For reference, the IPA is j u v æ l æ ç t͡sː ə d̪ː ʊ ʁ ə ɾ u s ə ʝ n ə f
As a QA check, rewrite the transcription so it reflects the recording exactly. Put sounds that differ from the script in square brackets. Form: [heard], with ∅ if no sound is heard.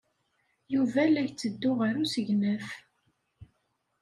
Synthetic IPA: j u v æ l æ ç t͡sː ə d̪ː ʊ ʁ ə ɾ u s ə ʝ n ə f

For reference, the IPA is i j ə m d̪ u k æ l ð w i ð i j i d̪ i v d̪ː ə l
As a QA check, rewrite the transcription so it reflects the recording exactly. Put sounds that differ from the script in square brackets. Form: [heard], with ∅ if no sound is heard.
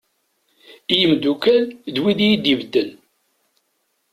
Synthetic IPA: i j ə m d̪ u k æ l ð w i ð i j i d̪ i v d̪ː ə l

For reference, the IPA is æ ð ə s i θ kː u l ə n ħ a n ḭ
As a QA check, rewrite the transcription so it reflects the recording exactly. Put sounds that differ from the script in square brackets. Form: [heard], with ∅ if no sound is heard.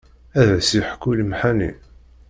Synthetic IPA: æ ð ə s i [ħ] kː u l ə [m] ħ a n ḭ

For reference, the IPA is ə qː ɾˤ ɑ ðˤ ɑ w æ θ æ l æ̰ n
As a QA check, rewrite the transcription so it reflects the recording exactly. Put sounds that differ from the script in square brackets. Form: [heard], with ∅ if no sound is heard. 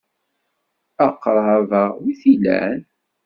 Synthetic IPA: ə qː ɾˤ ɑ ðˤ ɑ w [i] θ [i] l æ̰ n

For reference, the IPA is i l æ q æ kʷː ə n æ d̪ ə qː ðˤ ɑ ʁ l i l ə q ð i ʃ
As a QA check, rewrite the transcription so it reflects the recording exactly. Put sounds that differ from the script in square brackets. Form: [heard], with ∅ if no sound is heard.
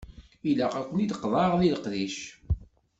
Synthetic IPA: i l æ q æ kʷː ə n [i] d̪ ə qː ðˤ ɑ ʁ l i l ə q ð i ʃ

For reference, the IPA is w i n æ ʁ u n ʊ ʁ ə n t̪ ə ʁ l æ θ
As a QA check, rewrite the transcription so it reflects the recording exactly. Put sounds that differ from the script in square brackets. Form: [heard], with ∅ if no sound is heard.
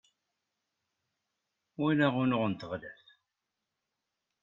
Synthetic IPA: w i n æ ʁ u n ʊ ʁ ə n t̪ ə ʁ l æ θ

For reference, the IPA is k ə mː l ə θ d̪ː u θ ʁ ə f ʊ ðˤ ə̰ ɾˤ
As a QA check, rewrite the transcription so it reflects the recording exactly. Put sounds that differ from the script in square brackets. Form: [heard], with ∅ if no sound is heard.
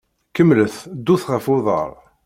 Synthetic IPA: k ə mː l ə θ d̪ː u θ ʁ ə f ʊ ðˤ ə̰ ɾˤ

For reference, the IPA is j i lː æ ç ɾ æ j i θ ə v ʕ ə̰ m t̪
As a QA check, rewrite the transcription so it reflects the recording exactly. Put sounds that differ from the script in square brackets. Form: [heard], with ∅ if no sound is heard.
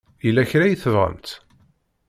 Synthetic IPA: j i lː æ ç ɾ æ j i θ ə v [ʁ] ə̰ m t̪

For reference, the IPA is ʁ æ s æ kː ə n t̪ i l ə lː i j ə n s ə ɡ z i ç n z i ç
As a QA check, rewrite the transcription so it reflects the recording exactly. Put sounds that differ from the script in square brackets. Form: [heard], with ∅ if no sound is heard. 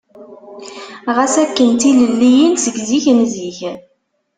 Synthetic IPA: ʁ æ s æ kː ə n t̪ i l ə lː i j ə n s ə ɡ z i ç n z i ç

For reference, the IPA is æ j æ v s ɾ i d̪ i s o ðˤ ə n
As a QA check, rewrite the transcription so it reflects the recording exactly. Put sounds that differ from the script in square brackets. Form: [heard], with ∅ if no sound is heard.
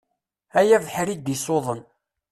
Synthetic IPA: æ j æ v [ħ] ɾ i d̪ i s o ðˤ ə n

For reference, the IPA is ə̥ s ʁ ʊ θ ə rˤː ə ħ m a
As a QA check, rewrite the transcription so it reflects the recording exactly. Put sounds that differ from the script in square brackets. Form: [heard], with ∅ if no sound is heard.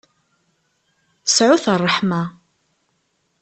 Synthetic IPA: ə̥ s [ʕ] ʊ θ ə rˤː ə ħ m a

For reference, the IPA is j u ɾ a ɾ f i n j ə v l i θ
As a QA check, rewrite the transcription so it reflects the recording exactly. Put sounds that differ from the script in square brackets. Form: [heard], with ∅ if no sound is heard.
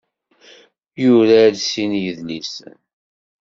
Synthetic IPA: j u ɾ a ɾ [s] i n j ə [ð] l i [s]

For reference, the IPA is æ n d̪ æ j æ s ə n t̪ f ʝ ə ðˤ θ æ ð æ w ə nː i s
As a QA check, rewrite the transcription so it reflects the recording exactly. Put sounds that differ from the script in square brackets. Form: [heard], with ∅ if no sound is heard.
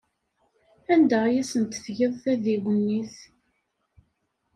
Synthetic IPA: æ n d̪ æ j æ s ə n t̪ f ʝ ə ðˤ θ æ ð [i] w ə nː i [θ]

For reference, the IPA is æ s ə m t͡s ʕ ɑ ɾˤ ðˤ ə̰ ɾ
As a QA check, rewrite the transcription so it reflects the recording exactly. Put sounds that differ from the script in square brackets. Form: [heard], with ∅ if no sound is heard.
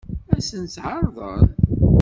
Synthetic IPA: æ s ə [n] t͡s ʕ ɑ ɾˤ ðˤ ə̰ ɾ

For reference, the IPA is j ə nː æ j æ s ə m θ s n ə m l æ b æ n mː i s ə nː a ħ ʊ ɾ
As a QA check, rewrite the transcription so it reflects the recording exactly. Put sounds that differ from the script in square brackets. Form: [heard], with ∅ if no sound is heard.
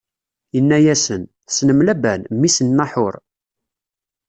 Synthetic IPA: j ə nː æ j æ s ə [n] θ s n ə m l æ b æ n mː i s ə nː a ħ ʊ ɾ

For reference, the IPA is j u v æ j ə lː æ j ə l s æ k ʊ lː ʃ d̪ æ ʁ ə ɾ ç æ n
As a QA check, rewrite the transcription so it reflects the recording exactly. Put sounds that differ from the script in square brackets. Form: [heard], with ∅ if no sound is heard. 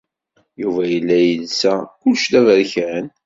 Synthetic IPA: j u v æ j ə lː æ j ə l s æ k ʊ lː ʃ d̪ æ [v] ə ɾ ç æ n

